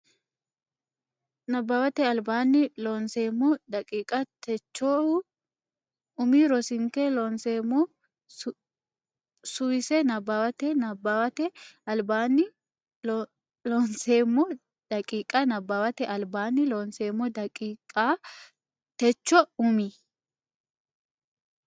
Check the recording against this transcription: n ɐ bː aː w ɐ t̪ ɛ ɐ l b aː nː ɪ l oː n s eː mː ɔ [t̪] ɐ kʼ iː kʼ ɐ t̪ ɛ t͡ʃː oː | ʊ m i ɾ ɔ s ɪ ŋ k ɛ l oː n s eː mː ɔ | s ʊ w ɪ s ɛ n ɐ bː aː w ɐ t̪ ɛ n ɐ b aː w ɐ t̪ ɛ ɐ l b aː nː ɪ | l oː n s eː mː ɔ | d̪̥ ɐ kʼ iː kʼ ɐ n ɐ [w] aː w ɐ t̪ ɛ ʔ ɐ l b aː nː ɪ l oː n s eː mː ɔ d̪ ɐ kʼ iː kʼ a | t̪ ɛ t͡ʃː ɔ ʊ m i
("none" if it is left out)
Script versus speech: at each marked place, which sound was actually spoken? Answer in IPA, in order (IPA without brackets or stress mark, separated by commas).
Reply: d̪, b